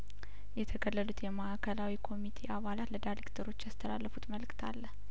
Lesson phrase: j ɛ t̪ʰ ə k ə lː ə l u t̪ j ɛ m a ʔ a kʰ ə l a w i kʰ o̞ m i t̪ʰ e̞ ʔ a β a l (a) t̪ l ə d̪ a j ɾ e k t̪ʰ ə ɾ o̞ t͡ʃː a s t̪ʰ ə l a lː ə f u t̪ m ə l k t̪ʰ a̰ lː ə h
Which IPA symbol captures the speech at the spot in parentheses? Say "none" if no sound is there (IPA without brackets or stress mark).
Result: a